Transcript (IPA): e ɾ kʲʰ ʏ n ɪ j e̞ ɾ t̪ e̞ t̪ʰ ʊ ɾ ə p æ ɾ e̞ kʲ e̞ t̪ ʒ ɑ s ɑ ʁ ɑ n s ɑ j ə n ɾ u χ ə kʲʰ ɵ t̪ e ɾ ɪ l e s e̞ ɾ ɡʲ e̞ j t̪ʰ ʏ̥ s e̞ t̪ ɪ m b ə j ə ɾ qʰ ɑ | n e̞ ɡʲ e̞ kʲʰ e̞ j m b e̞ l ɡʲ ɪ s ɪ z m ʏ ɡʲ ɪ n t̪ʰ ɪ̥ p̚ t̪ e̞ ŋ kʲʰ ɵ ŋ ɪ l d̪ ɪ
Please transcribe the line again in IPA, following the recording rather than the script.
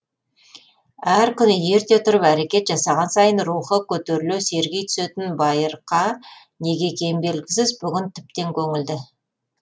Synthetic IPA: æ ɾ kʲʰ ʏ n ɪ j e̞ ɾ t̪ e̞ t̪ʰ ʊ ɾ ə p æ ɾ e̞ kʲ e̞ t̪ ʒ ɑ s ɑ ʁ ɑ n s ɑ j ə n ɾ u χ ə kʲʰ ɵ t̪ e ɾ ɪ l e s e̞ ɾ ɡʲ e̞ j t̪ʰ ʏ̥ s e̞ t̪ ɪ n b ɑ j ə ɾ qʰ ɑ | n e̞ ɡʲ e̞ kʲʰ e̞ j m b e̞ l ɡʲ ɪ s ɪ z b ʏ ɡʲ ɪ n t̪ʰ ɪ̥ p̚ t̪ e̞ ŋ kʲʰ ɵ ŋ ɪ l d̪ ɪ